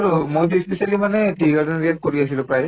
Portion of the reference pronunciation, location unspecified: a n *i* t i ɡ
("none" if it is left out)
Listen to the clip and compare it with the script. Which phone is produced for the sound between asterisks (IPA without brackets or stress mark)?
ɛ